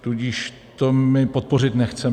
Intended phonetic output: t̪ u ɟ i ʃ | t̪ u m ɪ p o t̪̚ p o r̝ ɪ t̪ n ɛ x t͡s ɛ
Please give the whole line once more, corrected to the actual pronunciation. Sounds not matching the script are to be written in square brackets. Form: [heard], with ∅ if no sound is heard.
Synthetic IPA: t̪ u ɟ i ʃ | t̪ [o] m ɪ p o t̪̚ p o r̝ ɪ t̪ n ɛ x t͡s ɛ